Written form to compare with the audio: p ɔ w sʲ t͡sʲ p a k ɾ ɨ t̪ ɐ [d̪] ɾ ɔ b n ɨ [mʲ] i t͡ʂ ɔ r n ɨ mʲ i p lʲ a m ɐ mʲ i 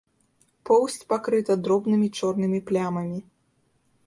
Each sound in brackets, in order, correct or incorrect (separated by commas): correct, correct